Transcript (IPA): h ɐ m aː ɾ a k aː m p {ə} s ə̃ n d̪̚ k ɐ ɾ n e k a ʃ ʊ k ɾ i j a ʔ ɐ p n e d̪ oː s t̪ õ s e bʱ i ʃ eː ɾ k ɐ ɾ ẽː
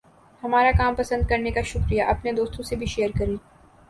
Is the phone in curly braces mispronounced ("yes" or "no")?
yes